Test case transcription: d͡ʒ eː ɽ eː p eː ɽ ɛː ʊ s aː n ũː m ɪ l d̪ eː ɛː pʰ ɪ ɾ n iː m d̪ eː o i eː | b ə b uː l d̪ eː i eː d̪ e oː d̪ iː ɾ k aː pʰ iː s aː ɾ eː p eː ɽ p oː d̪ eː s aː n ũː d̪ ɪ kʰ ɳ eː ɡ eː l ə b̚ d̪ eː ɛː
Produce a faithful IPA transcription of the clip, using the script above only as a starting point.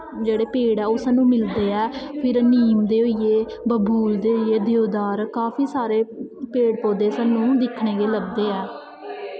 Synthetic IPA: d͡ʒ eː ɽ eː p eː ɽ ɛː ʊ s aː n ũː m ɪ l d̪ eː ɛː pʰ ɪ ɾ n iː m d̪ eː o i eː | b ə b uː l d̪ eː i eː d̪ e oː d̪ aː ɾ k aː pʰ iː s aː ɾ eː p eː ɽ p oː d̪ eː s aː n ũː d̪ ɪ kʰ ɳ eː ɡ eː l ə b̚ d̪ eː ɛː